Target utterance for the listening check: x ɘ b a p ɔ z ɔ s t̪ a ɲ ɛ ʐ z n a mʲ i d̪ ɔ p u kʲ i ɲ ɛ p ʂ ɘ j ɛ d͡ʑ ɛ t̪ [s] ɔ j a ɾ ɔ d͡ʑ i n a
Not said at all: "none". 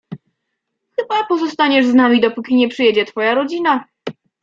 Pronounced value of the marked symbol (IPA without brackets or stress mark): f